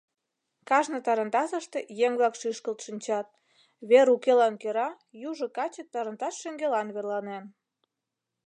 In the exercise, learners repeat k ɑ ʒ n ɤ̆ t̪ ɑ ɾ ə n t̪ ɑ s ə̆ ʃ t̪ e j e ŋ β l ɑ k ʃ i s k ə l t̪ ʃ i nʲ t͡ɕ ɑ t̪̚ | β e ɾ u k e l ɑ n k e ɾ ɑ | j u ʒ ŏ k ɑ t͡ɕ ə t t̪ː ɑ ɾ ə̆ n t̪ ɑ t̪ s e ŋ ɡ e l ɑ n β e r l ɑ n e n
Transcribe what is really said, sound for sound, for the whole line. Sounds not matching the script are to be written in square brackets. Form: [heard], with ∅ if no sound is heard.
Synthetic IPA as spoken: k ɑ ʒ n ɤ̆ t̪ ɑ ɾ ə n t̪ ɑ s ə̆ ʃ t̪ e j e ŋ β l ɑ k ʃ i [ʃ] k ə l t̪ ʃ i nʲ t͡ɕ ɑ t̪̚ | β e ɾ u k e l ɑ n k e ɾ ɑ | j u ʒ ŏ k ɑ t͡ɕ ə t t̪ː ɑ ɾ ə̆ n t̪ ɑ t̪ [ʃ] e ŋ ɡ e l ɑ n β e r l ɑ n e n